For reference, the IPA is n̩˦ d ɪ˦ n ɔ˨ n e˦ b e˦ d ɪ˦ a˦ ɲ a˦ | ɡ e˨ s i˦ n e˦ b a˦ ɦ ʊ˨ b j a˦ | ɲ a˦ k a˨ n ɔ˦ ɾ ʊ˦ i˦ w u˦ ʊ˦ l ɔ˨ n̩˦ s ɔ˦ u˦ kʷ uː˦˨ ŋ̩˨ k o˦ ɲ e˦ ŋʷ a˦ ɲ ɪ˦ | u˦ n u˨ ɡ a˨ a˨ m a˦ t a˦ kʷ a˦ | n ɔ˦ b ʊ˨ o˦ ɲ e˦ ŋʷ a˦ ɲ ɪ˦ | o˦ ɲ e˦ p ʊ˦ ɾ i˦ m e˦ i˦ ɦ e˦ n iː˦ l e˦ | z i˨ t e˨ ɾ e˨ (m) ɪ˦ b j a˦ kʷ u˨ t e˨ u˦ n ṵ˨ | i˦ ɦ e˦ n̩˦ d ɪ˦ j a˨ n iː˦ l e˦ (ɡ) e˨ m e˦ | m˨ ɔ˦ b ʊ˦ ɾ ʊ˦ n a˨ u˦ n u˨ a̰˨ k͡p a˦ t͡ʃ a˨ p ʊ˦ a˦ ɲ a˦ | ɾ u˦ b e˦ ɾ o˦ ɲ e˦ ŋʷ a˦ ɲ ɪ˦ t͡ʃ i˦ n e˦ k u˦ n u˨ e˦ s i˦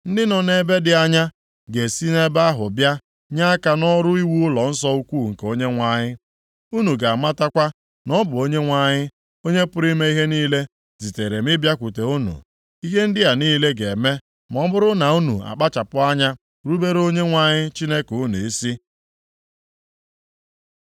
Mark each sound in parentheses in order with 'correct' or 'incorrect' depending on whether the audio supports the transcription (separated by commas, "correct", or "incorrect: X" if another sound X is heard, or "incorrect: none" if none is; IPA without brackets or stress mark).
correct, correct